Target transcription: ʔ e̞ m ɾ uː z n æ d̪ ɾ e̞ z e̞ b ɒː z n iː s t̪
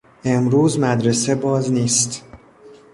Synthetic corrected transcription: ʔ e̞ m ɾ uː z m æ d̪ ɾ e̞ s e̞ b ɒː z n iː s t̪

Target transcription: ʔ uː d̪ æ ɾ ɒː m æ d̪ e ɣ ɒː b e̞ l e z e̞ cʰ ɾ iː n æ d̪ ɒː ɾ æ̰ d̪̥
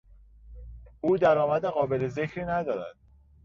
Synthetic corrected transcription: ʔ uː d̪ æ ɾ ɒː m æ d̪ e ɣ ɒː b e̞ l e z e̞ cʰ ɾ iː n æ d̪ ɒː ɾ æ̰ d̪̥

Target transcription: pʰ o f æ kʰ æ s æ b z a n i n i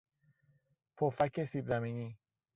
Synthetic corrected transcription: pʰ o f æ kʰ e s i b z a m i n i

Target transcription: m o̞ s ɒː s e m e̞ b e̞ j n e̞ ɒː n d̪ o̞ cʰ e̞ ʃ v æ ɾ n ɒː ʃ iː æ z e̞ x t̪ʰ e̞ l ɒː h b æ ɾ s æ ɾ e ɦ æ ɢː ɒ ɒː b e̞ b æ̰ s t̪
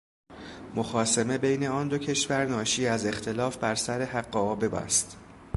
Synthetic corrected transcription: m o̞ x ɒː s e m e̞ b e̞ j n e̞ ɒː n d̪ o̞ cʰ e̞ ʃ v æ ɾ n ɒː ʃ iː æ z e̞ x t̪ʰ e̞ l ɒː f b æ ɾ s æ ɾ e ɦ æ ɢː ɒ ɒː b e̞ b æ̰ s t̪

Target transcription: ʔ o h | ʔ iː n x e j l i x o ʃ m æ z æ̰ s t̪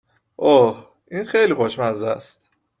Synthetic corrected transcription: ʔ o h | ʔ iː n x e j l i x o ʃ m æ z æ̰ s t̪

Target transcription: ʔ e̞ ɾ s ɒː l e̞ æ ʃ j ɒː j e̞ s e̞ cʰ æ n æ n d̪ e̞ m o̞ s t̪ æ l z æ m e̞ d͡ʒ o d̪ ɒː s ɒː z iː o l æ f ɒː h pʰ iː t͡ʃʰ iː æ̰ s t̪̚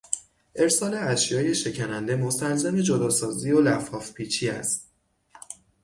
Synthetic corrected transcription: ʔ e̞ ɾ s ɒː l e̞ æ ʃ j ɒː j e̞ ʃ e̞ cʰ æ n æ n d̪ e̞ m o̞ s t̪ æ l z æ m e̞ d͡ʒ o d̪ ɒː s ɒː z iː o l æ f ɒː f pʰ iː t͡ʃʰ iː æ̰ s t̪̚

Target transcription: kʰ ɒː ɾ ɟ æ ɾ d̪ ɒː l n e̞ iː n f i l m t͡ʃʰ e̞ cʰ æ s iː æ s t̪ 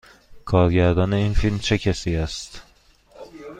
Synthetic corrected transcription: kʰ ɒː ɾ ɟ æ ɾ d̪ ɒː n e̞ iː n f i l m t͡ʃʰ e̞ cʰ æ s iː æ s t̪

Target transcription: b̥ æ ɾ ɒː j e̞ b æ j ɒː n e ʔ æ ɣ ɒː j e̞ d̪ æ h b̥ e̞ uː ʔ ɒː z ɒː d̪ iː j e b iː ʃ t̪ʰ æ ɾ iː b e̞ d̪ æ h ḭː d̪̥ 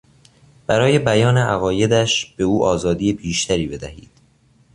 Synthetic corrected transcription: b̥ æ ɾ ɒː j e̞ b æ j ɒː n e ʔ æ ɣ ɒː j e̞ d̪ æ ʃ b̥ e̞ uː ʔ ɒː z ɒː d̪ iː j e b iː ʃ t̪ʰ æ ɾ iː b e̞ d̪ æ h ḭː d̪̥

